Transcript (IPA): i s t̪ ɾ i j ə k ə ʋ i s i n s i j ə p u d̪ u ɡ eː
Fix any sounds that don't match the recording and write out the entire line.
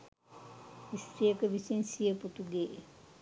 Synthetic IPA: i s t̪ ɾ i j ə k ə ʋ i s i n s i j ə p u t̪ u ɡ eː